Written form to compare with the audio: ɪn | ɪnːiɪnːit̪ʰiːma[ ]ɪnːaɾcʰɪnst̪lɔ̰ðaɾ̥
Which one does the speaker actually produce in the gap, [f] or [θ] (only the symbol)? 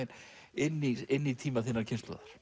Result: θ